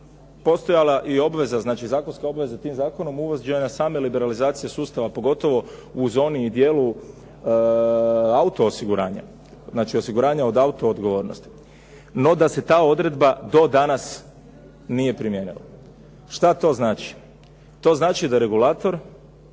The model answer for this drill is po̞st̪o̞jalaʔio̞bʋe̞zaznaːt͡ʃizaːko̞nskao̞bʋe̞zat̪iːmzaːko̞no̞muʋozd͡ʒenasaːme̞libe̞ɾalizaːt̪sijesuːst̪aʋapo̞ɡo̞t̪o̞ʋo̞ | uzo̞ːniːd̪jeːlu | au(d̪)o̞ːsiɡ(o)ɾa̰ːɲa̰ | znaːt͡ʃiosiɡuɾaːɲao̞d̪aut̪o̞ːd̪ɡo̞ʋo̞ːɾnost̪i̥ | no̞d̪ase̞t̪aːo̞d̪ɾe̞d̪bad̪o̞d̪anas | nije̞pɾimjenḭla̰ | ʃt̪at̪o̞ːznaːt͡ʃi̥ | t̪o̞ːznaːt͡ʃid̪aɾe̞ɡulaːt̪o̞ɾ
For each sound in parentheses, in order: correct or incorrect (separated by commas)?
incorrect, incorrect